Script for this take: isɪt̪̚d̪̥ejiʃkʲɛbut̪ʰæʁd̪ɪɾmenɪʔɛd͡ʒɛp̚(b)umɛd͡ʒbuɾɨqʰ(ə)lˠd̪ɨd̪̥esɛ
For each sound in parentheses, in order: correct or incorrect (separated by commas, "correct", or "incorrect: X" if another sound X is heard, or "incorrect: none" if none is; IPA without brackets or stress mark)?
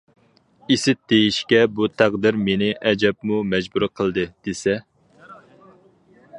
incorrect: m, correct